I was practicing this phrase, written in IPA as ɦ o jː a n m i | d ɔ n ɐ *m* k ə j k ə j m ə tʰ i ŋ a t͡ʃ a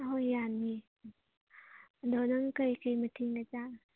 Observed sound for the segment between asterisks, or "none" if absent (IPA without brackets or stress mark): ŋ